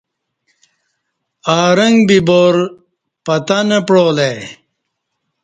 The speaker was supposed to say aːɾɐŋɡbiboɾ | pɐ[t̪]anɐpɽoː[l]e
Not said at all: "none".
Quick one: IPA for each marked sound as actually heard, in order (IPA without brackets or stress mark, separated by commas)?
t̪, l